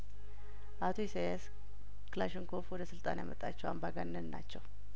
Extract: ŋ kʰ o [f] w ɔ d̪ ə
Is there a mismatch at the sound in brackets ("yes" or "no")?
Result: no